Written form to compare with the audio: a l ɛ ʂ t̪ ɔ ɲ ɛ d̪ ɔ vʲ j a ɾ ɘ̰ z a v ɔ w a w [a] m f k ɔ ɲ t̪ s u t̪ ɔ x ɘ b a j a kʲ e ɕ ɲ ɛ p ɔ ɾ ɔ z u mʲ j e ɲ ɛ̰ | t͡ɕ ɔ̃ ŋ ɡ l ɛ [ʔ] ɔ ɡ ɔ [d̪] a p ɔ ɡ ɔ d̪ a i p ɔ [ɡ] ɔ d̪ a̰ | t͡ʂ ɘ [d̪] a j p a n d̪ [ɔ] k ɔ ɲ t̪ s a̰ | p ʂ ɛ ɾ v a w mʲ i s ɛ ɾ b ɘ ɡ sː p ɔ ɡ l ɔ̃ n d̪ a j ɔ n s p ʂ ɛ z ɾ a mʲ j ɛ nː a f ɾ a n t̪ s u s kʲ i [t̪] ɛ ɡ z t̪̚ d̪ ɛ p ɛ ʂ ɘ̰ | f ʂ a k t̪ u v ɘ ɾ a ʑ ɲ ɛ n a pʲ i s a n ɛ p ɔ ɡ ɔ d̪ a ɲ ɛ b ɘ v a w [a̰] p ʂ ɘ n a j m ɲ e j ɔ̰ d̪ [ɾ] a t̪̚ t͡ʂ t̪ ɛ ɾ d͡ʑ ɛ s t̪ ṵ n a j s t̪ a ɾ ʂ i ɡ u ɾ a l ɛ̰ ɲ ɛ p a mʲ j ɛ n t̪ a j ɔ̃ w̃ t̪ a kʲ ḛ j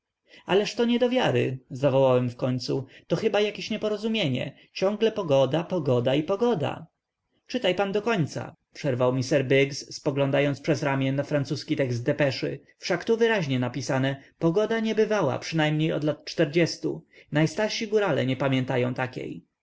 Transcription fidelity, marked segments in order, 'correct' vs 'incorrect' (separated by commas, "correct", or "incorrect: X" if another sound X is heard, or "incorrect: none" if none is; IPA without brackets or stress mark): incorrect: ɛ, incorrect: p, correct, correct, incorrect: t̪, correct, correct, correct, incorrect: l